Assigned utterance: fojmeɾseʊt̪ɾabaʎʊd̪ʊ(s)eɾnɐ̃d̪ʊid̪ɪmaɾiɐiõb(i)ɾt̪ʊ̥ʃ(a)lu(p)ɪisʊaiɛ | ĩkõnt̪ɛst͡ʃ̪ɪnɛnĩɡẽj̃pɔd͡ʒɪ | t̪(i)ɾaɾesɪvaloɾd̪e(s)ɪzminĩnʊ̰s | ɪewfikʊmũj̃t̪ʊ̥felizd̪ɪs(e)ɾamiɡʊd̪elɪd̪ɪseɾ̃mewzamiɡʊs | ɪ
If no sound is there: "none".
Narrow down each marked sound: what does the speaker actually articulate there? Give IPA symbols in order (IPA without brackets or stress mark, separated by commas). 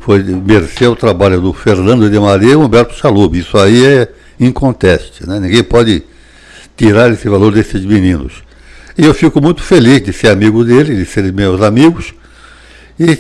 f, ɛ, a, b, i, s, e